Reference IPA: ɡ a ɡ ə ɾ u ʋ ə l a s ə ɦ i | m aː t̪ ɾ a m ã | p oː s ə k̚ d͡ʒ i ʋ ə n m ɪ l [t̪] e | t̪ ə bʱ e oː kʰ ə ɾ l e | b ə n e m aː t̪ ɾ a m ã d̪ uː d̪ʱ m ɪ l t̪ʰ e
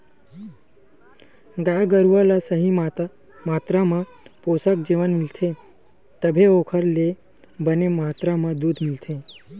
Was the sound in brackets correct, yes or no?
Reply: no